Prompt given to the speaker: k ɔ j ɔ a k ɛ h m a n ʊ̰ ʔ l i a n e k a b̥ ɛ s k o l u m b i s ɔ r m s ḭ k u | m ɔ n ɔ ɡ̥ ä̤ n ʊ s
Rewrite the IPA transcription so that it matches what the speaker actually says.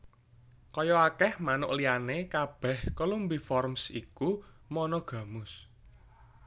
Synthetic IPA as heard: k ɔ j ɔ a k ɛ h m a n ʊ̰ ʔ l i a n e k a b̥ ɛ h k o l u m b i f ɔ r m s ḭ k u | m ɔ n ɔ ɡ̥ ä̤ m ʊ s